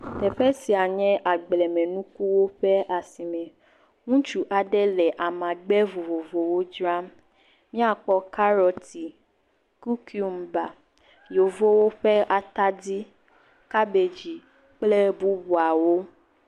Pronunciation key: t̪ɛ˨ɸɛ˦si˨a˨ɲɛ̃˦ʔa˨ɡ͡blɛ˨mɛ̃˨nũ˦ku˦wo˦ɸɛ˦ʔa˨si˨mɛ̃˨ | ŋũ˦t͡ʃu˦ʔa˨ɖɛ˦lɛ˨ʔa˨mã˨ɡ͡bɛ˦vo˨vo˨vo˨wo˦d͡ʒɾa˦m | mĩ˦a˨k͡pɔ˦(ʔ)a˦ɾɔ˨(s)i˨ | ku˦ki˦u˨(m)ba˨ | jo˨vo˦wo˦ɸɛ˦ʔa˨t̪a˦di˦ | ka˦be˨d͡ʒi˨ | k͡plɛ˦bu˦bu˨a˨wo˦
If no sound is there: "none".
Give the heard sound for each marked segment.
k, t, m

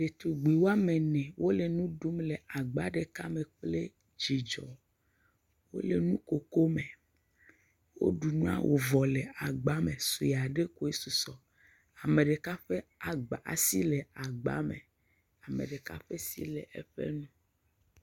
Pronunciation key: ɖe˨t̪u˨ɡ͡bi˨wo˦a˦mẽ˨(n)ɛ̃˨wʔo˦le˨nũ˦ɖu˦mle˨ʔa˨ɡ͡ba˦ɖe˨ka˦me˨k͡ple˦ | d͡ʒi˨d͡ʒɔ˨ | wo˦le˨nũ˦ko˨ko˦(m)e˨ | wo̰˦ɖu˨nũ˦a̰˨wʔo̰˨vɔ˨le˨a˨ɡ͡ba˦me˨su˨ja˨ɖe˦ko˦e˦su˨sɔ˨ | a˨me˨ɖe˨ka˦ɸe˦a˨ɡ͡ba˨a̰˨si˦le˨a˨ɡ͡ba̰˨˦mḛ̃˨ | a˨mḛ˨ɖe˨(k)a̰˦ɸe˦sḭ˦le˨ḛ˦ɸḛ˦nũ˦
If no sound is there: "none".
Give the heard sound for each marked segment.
n, m, k

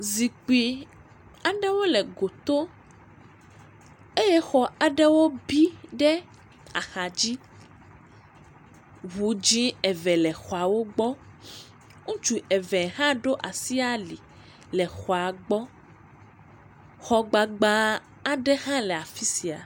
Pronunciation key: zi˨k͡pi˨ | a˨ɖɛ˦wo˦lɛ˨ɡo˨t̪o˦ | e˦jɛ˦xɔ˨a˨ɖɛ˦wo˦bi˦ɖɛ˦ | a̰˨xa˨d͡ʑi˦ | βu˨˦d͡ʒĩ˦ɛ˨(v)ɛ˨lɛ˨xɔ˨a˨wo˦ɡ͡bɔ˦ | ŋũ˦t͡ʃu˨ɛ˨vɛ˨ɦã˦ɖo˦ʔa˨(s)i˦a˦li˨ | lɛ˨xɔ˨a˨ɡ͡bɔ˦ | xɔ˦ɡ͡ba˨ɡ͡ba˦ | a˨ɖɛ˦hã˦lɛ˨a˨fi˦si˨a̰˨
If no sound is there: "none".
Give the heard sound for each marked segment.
v, s

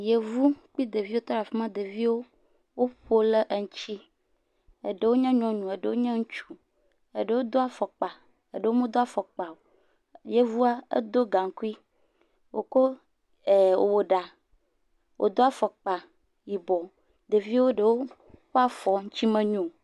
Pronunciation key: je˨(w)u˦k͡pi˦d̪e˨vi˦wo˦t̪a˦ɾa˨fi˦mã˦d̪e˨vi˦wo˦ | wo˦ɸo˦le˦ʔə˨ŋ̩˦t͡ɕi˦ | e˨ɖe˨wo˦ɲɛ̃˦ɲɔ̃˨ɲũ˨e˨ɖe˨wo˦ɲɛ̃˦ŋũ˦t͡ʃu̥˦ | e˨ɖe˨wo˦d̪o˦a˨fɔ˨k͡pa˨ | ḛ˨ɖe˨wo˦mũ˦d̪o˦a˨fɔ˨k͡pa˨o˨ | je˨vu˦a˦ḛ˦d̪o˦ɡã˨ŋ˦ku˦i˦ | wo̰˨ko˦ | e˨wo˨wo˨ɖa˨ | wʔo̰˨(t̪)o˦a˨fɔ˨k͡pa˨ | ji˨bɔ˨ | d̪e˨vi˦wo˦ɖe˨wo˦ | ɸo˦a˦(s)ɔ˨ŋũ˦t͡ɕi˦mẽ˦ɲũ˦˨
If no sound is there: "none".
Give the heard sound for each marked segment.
v, d̪, f

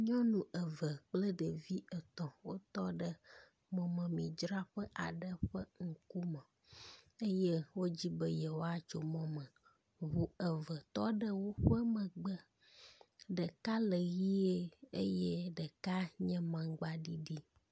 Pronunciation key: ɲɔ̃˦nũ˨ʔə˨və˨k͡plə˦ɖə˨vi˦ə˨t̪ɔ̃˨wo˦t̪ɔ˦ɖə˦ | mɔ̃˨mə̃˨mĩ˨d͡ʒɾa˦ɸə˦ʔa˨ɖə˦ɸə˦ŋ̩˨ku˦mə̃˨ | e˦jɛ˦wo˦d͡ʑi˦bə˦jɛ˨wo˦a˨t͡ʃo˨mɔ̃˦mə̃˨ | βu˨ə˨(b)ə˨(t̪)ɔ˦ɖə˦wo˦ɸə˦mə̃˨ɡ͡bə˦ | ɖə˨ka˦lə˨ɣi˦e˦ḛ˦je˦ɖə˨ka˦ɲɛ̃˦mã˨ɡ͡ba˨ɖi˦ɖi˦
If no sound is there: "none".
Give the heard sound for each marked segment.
v, t̪

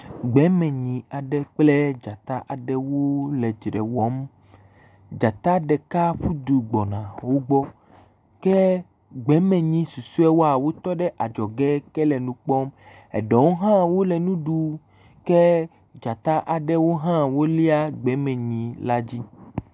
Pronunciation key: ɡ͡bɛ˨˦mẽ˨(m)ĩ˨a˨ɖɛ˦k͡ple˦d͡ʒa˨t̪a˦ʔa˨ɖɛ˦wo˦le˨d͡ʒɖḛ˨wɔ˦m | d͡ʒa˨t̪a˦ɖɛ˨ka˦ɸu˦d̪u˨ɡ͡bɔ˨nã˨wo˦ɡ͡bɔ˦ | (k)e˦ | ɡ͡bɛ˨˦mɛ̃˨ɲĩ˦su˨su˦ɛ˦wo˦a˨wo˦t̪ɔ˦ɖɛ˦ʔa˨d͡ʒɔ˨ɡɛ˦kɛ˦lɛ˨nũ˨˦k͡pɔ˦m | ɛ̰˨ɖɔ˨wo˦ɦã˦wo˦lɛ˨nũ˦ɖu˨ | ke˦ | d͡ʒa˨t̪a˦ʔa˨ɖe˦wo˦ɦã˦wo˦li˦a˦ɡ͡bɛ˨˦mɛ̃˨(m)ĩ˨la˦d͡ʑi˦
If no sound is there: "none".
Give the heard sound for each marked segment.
ɲ, k, ɲ

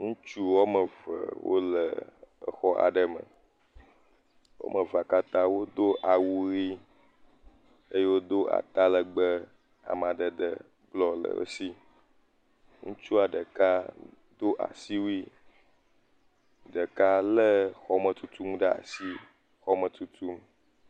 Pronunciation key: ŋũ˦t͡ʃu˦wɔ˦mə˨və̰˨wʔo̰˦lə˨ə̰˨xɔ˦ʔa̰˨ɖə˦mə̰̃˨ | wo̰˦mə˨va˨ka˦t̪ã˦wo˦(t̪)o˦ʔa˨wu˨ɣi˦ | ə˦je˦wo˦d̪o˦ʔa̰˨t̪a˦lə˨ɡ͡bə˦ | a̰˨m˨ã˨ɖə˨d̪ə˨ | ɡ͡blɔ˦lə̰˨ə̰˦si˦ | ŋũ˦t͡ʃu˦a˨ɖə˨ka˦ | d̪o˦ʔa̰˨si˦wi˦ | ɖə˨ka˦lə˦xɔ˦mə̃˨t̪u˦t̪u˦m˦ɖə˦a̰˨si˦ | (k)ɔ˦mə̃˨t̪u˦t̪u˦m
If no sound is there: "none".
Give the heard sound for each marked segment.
d̪, x

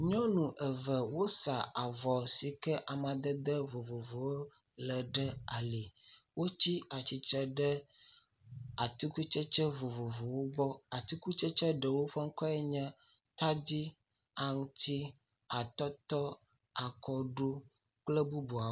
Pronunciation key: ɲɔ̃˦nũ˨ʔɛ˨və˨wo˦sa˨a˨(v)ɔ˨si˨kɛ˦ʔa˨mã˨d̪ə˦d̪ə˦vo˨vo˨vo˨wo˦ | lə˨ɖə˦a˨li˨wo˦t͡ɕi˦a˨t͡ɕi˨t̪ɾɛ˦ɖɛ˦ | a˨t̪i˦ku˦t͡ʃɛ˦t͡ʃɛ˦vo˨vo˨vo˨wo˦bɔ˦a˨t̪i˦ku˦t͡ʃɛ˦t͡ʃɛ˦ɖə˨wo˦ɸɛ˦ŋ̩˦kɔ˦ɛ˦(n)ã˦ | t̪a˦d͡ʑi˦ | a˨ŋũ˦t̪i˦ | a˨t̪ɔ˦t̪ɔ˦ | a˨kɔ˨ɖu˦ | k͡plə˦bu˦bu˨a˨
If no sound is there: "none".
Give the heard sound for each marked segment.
v, ɲ

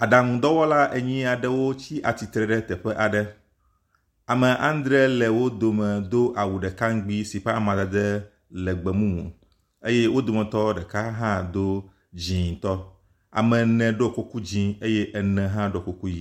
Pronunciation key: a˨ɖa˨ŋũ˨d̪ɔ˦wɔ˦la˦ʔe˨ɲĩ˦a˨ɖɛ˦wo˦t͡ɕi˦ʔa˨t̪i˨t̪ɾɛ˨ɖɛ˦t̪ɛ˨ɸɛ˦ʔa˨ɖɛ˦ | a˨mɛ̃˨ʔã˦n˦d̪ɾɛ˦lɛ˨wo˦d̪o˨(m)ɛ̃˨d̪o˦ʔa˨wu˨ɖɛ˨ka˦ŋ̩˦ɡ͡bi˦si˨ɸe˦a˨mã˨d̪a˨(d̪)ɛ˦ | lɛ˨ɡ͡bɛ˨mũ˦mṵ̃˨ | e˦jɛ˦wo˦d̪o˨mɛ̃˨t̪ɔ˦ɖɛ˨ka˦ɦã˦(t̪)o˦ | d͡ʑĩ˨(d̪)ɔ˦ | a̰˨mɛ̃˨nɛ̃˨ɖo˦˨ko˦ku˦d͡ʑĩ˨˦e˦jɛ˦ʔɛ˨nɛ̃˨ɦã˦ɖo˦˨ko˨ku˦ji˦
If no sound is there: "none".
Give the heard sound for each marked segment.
m, d̪, d̪, t̪

